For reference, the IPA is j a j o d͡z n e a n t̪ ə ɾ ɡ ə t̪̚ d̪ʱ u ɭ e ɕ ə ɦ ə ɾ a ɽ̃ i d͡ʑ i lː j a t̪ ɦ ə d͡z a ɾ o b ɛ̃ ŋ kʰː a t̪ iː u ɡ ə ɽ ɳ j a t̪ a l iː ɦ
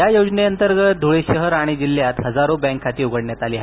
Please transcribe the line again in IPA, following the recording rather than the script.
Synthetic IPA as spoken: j a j o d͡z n e ə n t̪ ə ɾ ɡ ə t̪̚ d̪ʱ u ɭ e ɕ ə ɦ ə ɾ a ɽ̃ i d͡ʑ i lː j a t̪ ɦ ə d͡z a ɾ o b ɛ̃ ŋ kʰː a t̪ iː u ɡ ə ɽ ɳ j a t̪ a l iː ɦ